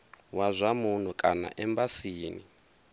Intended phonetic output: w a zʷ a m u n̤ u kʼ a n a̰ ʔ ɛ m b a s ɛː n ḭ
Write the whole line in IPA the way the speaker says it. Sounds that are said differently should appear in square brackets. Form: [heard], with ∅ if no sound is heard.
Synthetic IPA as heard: w a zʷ a m u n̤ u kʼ a n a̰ ʔ ɛ m b a s [iː] n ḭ

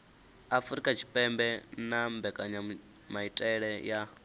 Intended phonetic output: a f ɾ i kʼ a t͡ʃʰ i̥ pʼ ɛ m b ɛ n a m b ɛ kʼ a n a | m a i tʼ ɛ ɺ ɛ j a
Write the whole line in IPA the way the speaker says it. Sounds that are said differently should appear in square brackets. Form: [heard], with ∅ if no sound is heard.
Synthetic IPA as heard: a f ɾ i kʼ a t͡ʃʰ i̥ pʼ ɛ m b ɛ n a m b ɛ kʼ a [ɲ] a | m a i tʼ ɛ ɺ ɛ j a

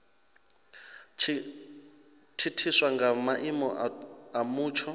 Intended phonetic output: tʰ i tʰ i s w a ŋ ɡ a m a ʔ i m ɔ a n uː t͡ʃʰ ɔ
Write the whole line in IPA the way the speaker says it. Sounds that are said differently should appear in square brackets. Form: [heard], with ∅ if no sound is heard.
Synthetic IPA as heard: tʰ i tʰ i s w a ŋ ɡ a m a ʔ i m ɔ a [m] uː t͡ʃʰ ɔ

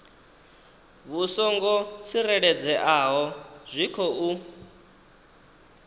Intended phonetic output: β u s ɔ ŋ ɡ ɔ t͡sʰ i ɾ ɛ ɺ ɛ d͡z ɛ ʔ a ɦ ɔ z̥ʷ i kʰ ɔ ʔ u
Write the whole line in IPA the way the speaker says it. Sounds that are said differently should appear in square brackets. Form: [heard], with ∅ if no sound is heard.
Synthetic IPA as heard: β u s ɔ ŋ ɡ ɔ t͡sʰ i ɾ ɛ ɺ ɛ d͡z ɛ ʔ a ɦ ɔ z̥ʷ i kʰ ɔ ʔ u

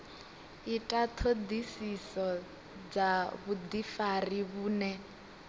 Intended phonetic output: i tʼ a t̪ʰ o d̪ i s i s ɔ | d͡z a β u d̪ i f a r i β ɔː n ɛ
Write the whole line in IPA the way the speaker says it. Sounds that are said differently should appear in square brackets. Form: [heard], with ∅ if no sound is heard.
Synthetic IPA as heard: i tʼ a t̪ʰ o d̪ i s i s ɔ | d͡z a β u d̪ i f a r i β [uː] n ɛ

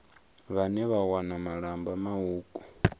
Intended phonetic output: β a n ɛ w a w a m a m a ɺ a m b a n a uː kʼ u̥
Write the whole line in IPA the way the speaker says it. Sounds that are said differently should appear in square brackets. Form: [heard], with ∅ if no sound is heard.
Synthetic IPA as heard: β a n ɛ [β] a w a [n] a m a ɺ a m b a [m] a uː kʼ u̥

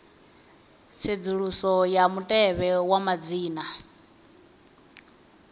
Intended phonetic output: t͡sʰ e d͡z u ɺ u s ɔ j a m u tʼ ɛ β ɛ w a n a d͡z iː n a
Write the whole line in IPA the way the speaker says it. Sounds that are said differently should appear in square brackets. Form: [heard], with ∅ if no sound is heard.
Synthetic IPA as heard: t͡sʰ e d͡z u ɺ u s ɔ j a m u tʼ ɛ β ɛ w a [m] a d͡z iː n a

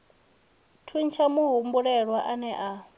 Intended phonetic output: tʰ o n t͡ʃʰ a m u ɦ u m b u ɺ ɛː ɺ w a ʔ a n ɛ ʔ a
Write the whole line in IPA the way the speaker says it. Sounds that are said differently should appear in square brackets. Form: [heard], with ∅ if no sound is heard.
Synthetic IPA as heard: tʰ [u] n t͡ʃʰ a m u ɦ u m b u ɺ [ɛ] ɺ w a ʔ a n ɛ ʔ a

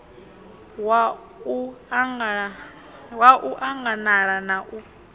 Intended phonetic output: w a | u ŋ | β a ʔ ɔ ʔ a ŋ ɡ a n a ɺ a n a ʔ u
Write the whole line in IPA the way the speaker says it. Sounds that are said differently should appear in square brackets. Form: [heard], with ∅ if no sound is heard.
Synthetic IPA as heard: w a | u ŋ | [w] a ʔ [u] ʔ a ŋ ɡ a n a ɺ a n a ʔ u

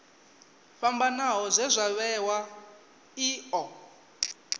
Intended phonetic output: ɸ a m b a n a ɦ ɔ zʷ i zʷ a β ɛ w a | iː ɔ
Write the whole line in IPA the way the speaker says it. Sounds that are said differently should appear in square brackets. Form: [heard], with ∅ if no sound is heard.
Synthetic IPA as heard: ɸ a m b a n a ɦ ɔ zʷ [ɛ] zʷ a β ɛ w a | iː ɔ

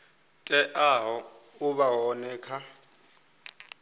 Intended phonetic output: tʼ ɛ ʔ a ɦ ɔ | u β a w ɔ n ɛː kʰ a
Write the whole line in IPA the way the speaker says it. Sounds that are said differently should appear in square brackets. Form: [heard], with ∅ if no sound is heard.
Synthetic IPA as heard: tʼ ɛ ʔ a ɦ ɔ | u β a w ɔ n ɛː kʰ a

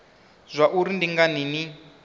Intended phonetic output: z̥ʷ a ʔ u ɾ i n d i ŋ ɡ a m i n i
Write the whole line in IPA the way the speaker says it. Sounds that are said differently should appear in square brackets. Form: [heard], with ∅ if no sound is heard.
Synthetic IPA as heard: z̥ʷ a ʔ u ɾ i n d i ŋ ɡ a [n] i n i

